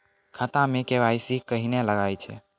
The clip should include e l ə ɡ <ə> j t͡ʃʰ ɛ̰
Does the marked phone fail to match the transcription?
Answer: yes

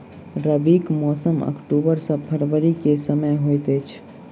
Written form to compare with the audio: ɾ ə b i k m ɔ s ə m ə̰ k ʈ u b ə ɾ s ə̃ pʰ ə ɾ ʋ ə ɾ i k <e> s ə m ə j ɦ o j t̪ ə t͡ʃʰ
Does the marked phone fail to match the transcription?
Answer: no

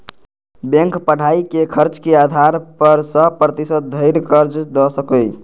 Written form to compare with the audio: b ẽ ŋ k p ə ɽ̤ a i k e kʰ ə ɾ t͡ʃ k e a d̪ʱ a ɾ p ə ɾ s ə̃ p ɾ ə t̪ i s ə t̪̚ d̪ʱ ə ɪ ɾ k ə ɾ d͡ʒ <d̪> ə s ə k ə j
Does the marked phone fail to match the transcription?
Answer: no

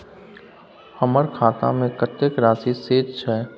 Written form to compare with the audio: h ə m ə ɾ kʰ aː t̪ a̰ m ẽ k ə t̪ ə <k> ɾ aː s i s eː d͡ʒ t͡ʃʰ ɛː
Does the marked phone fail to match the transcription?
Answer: no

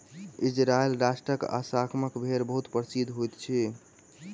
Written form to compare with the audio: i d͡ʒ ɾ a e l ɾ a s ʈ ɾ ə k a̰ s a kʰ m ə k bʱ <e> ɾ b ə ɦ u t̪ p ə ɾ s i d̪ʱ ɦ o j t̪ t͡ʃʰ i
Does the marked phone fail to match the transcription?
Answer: no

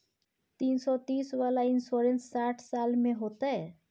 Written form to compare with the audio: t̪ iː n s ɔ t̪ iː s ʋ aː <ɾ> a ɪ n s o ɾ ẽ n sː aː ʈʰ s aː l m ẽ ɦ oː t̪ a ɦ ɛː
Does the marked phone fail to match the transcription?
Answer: yes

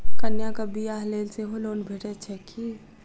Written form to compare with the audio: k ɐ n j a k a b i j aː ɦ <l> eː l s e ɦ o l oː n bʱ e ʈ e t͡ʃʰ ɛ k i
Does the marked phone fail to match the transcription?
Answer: no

